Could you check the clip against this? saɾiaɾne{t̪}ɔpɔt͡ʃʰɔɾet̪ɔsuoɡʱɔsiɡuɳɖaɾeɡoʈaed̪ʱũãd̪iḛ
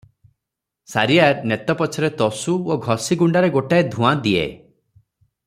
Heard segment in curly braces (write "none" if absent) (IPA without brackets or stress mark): t̪